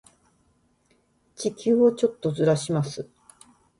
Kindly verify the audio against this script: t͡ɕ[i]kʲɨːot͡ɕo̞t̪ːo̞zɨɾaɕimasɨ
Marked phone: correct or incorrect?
correct